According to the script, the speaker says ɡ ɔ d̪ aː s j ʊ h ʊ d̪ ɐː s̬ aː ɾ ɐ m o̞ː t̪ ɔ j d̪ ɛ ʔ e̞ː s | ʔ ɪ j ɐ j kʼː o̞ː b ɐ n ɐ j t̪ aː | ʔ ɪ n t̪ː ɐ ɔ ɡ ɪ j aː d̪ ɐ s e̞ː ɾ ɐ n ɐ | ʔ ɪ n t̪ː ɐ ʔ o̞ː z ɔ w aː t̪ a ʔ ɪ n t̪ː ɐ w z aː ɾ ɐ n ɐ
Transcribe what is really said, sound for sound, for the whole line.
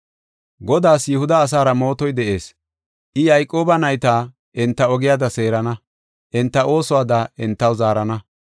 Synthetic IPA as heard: ɡ ɔ d̪ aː s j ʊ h ʊ d̪ ɐː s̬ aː ɾ ɐ m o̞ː t̪ ɔ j d̪ ɛ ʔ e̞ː s | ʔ ɪ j ɐ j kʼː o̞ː b ɐ n ɐ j t̪ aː | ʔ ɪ n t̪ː ɐ ɔ ɡ ɪ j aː d̪ ɐ s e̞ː ɾ ɐ n ɐ | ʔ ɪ n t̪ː ɐ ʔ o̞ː s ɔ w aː d̪ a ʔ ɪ n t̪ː ɐ w z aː ɾ ɐ n ɐ